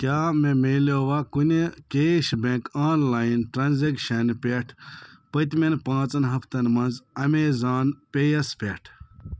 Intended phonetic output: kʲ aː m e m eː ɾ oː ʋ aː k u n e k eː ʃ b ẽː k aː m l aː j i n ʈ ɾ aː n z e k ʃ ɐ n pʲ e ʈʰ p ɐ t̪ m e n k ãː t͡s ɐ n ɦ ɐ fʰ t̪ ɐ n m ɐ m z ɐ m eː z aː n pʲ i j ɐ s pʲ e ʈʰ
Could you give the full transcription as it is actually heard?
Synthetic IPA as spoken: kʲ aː m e m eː l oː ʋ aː k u n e k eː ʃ b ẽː k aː n l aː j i n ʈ ɾ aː n z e k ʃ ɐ n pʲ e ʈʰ p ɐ t̪ m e n p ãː t͡s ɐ n ɦ ɐ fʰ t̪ ɐ n m ɐ n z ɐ m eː z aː n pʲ e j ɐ s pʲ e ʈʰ